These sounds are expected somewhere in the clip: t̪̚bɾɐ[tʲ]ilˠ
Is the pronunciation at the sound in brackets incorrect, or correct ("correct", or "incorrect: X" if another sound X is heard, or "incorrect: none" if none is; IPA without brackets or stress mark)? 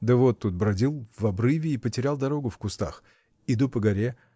incorrect: dʲ